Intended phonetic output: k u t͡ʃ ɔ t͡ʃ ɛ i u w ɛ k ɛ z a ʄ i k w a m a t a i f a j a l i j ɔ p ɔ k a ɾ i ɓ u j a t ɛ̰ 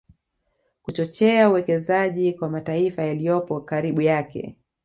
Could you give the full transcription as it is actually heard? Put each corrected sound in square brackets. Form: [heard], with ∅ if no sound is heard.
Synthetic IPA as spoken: k u t͡ʃ ɔ t͡ʃ ɛ [a] u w ɛ k ɛ z a ʄ i k w a m a t a i f a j a l i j ɔ p ɔ k a ɾ i ɓ u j a [k] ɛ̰